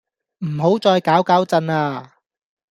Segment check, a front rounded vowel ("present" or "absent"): absent